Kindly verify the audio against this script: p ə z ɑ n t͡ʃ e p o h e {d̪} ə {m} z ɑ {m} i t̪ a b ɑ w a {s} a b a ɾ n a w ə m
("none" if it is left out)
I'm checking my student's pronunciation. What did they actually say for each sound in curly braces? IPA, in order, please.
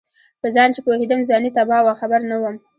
d̪, m, n, x

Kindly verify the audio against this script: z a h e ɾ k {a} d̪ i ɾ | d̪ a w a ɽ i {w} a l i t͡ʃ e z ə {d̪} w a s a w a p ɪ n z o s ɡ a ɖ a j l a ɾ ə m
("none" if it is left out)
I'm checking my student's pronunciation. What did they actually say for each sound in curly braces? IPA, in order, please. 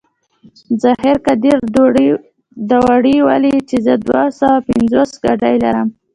a, w, d̪

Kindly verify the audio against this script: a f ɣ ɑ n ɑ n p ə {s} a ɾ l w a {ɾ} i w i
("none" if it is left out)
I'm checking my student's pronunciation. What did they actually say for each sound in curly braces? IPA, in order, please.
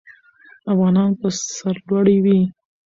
s, ɽ

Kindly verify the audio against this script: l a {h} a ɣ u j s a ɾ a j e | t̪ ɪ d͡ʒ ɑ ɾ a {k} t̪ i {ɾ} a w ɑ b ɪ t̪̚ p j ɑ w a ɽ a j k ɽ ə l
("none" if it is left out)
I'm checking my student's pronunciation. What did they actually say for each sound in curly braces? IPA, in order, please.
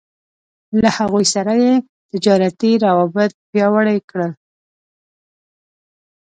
h, none, ɾ

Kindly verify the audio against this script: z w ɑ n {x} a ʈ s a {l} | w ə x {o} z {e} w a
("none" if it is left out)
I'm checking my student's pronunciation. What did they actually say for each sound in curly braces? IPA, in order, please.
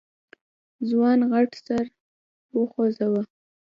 ɣ, ɾ, o, a

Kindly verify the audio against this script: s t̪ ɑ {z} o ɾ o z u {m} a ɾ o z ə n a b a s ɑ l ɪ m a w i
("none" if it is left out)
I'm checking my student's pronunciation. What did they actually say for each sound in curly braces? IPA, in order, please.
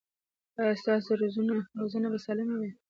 s, n

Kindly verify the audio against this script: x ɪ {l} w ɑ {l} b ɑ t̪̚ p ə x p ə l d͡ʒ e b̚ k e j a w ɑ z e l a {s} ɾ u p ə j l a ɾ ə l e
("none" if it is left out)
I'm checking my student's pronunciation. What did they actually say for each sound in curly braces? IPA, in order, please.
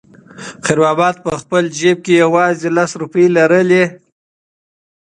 ɾ, none, s

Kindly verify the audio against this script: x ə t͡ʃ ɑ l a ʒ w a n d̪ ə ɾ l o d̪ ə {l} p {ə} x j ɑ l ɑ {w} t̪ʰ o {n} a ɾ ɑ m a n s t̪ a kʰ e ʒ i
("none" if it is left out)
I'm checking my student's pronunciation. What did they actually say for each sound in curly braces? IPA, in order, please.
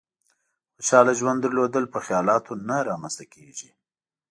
l, ə, none, n

